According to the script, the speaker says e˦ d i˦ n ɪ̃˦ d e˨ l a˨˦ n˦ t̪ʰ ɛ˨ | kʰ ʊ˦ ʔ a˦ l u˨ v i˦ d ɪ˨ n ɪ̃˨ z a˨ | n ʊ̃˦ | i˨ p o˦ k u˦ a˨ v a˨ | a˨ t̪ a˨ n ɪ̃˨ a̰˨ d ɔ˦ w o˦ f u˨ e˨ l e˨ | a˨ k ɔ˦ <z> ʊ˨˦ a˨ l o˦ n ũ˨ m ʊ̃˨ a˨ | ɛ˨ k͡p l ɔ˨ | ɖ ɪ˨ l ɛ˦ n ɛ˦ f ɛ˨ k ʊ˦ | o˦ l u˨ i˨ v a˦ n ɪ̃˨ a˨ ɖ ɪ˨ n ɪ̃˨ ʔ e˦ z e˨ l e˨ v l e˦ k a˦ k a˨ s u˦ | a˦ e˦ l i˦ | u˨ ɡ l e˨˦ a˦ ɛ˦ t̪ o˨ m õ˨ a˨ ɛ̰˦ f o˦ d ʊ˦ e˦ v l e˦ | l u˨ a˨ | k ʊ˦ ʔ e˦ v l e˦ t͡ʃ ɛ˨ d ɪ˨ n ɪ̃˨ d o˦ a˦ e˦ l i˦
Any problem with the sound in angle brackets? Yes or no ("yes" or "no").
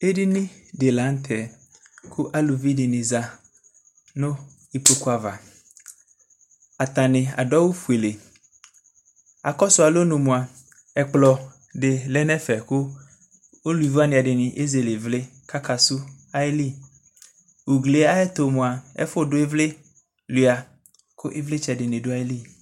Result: yes